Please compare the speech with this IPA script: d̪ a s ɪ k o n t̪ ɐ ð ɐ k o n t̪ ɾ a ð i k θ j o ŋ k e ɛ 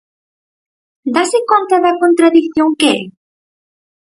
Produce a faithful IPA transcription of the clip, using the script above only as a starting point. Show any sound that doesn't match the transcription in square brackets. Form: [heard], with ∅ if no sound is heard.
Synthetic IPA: d̪ a s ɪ k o n t̪ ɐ ð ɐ k o n t̪ ɾ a ð i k θ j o ŋ k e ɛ